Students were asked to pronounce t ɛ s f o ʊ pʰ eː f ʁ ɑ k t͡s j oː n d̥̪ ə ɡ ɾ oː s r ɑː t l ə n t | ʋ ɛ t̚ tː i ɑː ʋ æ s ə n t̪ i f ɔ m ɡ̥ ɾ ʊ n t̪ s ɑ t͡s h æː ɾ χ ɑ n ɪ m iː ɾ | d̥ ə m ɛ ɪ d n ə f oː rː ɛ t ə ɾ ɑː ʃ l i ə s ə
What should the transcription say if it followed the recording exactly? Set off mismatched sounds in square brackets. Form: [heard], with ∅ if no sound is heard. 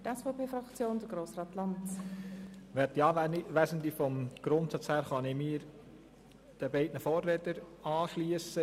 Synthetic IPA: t ɛ s f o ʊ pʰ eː f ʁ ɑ k t͡s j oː n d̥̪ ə ɡ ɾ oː s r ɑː t l [ɑ] n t | ʋ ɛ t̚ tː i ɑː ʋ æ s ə n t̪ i f ɔ m ɡ̥ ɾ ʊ n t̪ s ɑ t͡s h æː ɾ χ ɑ n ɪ m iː ɾ | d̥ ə [b] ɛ ɪ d n ə f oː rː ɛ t ə ɾ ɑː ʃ l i ə s ə